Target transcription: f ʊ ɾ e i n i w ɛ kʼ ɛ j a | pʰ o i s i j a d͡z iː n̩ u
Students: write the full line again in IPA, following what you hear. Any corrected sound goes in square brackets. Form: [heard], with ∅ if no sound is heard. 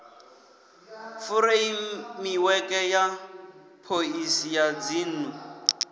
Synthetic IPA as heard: f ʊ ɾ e i [m] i w ɛ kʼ ɛ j a | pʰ o i s i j a d͡z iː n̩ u